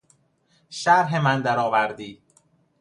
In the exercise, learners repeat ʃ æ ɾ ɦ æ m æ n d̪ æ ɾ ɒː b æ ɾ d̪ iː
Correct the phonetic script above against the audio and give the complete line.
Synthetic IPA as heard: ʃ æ ɾ ɦ e m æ n d̪ æ ɾ ɒː v æ ɾ d̪ iː